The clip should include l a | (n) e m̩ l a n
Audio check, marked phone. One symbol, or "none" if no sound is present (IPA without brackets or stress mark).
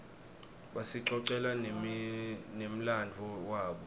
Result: n